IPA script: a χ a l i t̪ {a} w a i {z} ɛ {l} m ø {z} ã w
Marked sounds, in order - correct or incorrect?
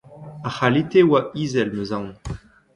incorrect, correct, correct, correct

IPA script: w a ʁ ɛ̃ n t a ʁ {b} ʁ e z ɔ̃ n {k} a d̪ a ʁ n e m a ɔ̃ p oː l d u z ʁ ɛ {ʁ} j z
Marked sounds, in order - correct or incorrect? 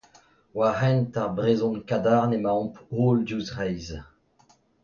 correct, correct, incorrect

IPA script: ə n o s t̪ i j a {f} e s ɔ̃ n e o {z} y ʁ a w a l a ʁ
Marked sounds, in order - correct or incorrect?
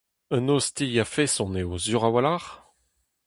correct, correct

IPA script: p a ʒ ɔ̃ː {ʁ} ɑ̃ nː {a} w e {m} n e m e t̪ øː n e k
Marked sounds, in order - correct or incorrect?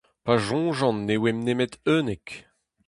incorrect, incorrect, correct

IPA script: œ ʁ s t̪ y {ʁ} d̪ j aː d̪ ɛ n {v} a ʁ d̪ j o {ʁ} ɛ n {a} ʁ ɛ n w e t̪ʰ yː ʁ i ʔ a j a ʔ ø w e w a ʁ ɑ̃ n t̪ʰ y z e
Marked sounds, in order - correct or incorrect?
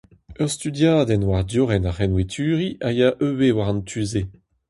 incorrect, incorrect, correct, correct

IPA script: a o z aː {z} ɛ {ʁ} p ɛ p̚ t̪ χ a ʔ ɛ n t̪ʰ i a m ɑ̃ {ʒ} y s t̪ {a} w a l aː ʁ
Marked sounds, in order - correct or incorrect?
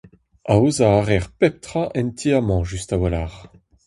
incorrect, correct, correct, correct

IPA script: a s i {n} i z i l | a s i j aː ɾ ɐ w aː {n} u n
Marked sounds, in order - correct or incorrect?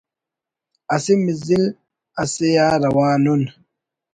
incorrect, correct

